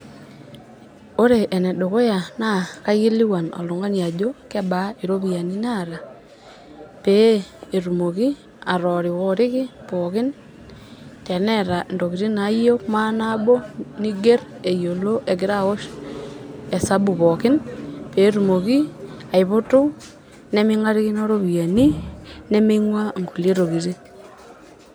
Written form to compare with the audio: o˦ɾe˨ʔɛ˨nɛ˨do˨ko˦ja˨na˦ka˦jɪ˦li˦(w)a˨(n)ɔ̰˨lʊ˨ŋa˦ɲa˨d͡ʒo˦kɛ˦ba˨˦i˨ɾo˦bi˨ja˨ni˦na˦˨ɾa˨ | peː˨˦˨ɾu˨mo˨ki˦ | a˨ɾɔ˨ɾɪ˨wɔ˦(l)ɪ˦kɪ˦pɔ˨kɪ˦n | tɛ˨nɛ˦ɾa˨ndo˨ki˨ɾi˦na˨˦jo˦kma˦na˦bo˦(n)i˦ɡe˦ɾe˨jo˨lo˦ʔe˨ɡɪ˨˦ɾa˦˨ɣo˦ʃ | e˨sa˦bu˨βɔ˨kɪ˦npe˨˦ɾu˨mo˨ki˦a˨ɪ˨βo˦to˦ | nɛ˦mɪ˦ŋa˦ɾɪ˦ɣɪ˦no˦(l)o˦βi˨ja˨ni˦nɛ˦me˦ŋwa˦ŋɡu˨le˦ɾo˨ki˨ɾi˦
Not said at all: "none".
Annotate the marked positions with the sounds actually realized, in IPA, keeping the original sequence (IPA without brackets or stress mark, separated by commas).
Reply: w, n, ɾ, n, ɾ